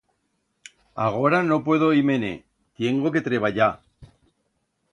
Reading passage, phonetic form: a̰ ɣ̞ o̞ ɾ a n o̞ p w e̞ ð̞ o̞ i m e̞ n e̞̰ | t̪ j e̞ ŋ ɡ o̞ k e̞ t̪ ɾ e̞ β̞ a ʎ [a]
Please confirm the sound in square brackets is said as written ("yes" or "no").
yes